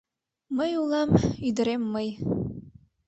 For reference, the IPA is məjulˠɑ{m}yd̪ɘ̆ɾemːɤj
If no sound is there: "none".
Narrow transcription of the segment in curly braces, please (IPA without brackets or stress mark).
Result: m